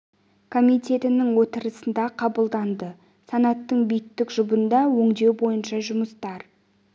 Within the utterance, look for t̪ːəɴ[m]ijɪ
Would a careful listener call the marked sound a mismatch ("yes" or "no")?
yes